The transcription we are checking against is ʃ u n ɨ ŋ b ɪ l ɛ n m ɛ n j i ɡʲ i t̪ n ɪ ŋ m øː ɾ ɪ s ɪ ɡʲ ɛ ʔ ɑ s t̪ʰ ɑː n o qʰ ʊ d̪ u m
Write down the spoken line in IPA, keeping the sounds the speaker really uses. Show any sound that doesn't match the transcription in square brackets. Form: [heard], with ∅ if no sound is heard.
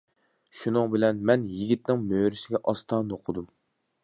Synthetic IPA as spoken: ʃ u n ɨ ŋ b ɪ l ɛ n m ɛ n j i ɡʲ i t̪ n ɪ ŋ m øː ɾ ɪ s ɪ ɡʲ ɛ ʔ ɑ s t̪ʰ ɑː n o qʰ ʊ d̪ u m

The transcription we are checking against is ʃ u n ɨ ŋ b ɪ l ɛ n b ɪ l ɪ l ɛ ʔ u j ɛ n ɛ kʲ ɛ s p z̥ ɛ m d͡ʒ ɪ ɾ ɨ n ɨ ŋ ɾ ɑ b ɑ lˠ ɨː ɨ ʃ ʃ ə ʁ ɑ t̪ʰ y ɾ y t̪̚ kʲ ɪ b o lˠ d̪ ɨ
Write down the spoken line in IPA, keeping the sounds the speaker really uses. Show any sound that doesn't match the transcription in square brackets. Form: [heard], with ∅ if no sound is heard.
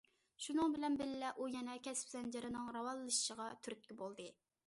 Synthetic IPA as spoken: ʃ u n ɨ ŋ b ɪ l ɛ n b ɪ l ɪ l ɛ ʔ u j ɛ n ɛ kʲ ɛ s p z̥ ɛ [n] d͡ʒ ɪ ɾ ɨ n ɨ ŋ ɾ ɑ [w] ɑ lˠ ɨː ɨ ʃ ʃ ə ʁ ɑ t̪ʰ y ɾ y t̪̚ kʲ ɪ b o lˠ d̪ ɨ

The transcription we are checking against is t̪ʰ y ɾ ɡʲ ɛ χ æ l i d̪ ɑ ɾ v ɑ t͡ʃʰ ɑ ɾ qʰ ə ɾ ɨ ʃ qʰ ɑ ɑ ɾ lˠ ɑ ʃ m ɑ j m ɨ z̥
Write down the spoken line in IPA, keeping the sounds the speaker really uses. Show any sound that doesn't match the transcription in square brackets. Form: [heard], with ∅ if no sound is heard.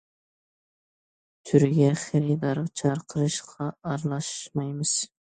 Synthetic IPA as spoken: t̪ʰ y ɾ ɡʲ ɛ χ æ [ɾ] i d̪ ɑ ɾ [ʁ] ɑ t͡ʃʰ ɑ ɾ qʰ ə ɾ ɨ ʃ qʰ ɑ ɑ ɾ lˠ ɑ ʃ m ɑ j m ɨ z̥

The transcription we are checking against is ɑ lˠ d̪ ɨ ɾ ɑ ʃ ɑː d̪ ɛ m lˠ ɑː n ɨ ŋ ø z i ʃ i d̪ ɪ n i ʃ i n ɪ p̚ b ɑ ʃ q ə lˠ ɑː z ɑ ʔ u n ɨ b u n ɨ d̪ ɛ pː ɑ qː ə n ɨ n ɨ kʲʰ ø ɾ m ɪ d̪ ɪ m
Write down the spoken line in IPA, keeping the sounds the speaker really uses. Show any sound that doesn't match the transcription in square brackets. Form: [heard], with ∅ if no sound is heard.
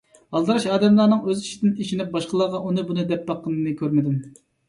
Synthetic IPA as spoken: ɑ lˠ d̪ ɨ ɾ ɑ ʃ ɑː d̪ ɛ m lˠ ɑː n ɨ ŋ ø z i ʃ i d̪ ɪ n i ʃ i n ɪ p̚ b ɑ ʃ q ə lˠ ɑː [ʁ] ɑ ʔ u n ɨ b u n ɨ d̪ ɛ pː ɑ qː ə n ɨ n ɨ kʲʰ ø ɾ m ɪ d̪ ɪ m

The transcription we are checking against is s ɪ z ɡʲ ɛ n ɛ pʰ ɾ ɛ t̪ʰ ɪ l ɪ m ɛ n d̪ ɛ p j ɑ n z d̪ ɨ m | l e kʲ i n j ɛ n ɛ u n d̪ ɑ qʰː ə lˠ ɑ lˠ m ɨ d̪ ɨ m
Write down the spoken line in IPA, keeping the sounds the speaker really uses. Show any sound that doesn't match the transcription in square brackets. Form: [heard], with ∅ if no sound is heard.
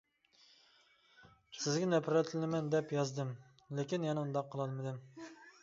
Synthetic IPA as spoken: s ɪ z ɡʲ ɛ n ɛ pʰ ɾ ɛ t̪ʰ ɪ l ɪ m ɛ n d̪ ɛ p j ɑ [∅] z d̪ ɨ m | l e kʲ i n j ɛ n ɛ u n d̪ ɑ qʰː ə lˠ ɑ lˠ m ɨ d̪ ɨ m

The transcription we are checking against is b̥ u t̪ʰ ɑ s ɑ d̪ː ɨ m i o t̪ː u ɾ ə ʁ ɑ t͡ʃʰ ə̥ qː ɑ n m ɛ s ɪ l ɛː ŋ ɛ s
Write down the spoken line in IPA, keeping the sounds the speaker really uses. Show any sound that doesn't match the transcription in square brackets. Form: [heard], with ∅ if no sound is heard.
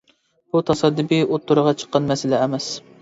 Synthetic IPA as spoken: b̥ u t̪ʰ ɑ s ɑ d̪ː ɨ [b] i o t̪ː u ɾ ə ʁ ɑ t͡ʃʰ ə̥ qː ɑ n m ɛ s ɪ l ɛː [m] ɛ s

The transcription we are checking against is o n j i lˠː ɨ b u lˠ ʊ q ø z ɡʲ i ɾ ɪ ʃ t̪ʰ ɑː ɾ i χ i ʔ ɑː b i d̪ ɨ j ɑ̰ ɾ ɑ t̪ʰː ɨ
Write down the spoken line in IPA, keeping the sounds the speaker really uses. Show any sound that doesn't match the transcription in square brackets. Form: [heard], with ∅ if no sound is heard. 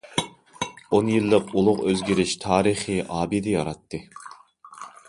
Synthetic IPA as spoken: o n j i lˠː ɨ [p] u lˠ ʊ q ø z ɡʲ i ɾ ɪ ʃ t̪ʰ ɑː ɾ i χ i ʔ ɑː b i d̪ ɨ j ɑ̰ ɾ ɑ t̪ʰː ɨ

